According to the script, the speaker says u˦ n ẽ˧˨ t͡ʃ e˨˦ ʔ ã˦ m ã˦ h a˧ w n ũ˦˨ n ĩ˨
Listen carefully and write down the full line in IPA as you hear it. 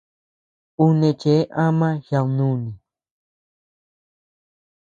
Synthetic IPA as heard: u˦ n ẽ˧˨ t͡ʃ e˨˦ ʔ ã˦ m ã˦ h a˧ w n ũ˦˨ n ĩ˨

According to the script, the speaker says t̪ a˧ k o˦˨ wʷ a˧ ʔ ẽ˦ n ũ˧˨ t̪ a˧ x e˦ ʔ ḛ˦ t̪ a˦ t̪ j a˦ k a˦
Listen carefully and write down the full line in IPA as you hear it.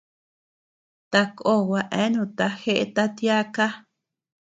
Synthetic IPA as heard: t̪ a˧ k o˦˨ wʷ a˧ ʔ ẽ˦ n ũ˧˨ t̪ a˧ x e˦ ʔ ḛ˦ t̪ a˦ t̪ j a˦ k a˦

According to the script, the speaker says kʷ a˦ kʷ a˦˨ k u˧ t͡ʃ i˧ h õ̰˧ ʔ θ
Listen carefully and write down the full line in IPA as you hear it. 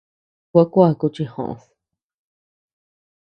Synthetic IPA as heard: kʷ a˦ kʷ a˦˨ k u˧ t͡ʃ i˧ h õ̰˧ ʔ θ

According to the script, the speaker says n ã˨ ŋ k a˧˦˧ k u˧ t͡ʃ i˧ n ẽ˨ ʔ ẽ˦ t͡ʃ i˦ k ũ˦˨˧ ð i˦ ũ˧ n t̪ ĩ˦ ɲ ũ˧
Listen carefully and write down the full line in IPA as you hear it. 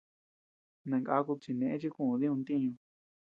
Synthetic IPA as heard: n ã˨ ŋ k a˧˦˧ k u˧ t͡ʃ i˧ n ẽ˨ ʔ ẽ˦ t͡ʃ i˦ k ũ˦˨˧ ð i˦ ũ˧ n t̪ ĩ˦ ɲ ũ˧

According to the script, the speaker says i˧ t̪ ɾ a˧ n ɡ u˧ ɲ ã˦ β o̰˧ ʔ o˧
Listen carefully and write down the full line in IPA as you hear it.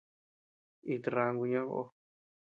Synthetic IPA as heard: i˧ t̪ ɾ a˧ ŋ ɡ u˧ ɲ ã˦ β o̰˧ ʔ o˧

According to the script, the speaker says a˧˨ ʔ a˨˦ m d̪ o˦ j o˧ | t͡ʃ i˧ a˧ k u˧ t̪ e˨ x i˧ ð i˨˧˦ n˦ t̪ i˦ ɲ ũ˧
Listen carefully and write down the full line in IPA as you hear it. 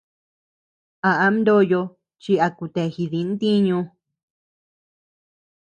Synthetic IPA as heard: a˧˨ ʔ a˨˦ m d̪ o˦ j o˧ | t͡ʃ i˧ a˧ k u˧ t̪ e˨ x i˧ ð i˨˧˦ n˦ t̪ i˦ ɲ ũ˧

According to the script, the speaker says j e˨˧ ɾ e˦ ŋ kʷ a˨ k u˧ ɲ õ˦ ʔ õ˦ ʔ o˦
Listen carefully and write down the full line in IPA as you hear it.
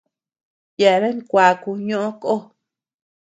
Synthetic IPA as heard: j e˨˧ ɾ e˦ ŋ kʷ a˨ k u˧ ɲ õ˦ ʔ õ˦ k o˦

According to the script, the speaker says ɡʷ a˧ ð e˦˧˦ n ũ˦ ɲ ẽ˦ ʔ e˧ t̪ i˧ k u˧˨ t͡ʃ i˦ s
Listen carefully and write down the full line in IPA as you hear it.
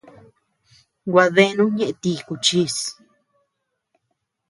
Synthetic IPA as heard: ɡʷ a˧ ð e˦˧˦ n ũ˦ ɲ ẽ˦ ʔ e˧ t̪ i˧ k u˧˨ t͡ʃ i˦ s

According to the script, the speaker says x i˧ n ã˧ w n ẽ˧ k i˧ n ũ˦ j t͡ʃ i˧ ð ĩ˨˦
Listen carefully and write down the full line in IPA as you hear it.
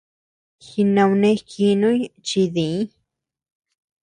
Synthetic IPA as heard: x i˧ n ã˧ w n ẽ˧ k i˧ n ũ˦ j t͡ʃ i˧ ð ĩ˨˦

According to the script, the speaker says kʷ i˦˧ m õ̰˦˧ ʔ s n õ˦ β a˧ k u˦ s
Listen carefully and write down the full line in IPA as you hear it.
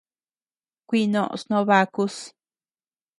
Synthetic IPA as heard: kʷ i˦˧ n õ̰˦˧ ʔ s n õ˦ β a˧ k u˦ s

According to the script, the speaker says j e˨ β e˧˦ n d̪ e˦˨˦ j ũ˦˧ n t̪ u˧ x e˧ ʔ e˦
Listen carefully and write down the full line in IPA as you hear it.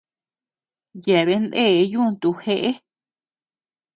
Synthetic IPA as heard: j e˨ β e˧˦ n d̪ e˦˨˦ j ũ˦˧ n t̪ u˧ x e˧ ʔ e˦

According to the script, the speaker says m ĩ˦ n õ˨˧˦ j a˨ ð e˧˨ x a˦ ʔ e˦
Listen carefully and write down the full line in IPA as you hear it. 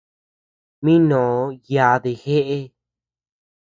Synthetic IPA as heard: m ĩ˦ n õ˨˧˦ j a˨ ð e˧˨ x e˦ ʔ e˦

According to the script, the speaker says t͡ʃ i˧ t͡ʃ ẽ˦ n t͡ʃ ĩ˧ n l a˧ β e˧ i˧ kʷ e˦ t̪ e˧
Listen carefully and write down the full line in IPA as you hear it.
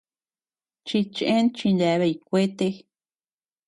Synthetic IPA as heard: t͡ʃ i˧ t͡ʃ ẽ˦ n t͡ʃ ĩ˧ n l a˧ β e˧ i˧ kʷ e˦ t̪ e˧

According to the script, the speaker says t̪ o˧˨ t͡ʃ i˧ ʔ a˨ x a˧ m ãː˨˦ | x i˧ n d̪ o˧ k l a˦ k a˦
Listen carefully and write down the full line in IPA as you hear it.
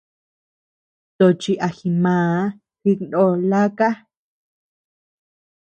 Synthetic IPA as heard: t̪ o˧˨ t͡ʃ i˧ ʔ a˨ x i˧ m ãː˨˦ | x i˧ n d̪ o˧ l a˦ k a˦

